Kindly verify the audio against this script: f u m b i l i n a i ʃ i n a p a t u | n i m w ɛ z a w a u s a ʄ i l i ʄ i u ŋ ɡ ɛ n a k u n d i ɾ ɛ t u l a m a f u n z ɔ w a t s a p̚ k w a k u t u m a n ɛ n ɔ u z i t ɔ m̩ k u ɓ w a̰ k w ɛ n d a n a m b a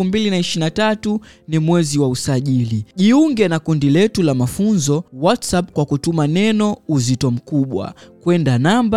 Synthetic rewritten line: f u m b i l i n a i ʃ i n a t a t u | n i m w ɛ z i w a u s a ʄ i l i ʄ i u ŋ ɡ ɛ n a k u n d i l ɛ t u l a m a f u n z ɔ w a t s a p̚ k w a k u t u m a n ɛ n ɔ u z i t ɔ m̩ k u ɓ w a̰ k w ɛ n d a n a m b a